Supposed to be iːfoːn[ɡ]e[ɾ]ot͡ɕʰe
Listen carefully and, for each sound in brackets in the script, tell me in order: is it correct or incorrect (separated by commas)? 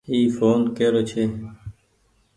incorrect, correct